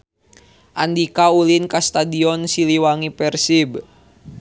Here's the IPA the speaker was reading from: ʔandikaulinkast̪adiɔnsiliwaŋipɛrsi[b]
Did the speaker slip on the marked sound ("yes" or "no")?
no